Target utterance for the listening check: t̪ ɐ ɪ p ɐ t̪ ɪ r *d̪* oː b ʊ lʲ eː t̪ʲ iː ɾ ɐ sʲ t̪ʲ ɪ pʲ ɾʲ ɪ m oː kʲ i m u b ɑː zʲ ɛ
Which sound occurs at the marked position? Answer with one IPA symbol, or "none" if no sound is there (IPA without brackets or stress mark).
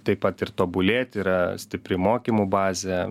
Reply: t̪